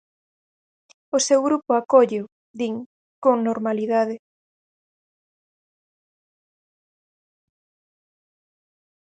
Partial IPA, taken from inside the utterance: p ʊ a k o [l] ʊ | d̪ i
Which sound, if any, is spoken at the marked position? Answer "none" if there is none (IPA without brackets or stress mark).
ʎ